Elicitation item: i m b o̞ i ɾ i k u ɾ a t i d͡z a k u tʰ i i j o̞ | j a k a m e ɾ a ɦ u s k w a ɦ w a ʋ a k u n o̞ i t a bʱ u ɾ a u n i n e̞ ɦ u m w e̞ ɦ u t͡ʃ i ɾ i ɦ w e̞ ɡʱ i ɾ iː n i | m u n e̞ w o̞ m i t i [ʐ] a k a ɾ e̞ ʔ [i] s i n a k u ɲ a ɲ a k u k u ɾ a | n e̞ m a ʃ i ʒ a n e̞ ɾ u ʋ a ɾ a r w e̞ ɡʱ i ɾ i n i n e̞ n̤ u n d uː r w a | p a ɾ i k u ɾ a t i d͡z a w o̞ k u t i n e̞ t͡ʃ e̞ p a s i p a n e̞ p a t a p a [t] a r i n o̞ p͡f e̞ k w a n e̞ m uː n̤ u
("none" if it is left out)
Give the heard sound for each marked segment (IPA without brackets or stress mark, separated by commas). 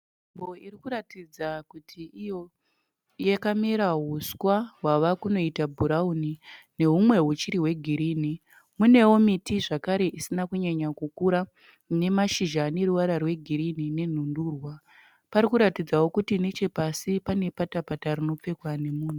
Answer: ʐ, i, t